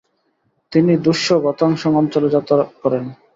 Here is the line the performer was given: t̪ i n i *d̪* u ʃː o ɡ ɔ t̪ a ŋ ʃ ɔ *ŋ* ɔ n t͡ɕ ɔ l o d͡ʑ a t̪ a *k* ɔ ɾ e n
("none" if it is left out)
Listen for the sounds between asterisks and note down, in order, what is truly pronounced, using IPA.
d̪, ŋ, k

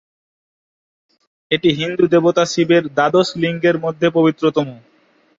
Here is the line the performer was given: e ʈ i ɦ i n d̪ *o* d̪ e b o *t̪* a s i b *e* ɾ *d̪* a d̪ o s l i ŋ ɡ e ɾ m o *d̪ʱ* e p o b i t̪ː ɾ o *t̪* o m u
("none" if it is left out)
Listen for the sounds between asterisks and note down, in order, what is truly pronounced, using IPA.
u, t̪, e, d̪, d̪ʱː, t̪

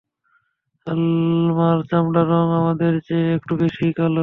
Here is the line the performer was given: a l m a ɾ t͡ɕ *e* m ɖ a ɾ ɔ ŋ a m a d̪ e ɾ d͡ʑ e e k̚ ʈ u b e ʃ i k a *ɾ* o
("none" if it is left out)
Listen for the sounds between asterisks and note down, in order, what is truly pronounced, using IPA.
a, l

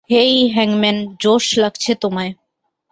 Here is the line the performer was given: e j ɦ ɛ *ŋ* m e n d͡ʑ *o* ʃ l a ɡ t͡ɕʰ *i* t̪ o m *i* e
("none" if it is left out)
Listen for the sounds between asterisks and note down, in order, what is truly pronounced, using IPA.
ŋ, o, e, a

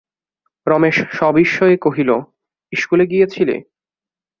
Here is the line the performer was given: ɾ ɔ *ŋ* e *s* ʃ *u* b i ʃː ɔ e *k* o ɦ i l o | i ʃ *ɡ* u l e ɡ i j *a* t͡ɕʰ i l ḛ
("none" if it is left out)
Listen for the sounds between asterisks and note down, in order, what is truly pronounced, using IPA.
m, ʃ, ɔ, k, k, e

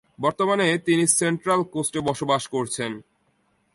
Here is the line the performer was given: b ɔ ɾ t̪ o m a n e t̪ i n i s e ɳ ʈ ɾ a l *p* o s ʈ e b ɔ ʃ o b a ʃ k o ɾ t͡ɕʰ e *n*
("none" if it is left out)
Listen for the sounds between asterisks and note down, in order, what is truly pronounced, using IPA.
k, n

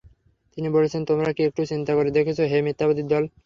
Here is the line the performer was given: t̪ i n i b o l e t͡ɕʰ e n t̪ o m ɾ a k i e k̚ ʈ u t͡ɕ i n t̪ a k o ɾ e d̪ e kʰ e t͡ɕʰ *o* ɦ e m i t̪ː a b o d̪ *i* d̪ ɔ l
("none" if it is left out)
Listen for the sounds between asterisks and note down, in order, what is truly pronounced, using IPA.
o, i

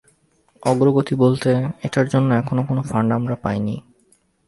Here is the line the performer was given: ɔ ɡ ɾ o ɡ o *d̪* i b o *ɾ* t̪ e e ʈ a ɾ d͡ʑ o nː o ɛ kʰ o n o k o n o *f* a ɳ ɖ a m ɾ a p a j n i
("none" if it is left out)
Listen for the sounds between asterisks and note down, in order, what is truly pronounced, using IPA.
t̪, l, f

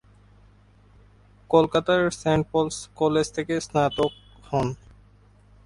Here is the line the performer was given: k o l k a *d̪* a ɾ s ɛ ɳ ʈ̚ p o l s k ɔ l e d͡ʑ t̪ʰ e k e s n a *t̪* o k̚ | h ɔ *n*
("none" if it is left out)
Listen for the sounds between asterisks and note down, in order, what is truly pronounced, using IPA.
t̪, t̪, n

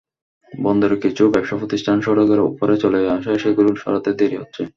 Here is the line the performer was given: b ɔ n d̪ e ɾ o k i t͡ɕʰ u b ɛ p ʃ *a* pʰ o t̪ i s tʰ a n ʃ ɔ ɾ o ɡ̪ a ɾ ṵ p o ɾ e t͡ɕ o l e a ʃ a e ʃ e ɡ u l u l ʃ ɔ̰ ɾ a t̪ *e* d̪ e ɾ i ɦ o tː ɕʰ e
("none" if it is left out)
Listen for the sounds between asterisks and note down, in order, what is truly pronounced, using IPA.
a, e

